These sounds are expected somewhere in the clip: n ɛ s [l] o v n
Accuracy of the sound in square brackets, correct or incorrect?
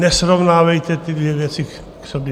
incorrect